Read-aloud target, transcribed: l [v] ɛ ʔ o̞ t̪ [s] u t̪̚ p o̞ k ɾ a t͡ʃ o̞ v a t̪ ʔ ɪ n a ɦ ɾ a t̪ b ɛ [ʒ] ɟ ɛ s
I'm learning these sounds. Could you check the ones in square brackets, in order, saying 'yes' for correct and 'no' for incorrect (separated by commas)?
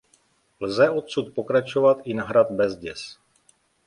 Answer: no, yes, no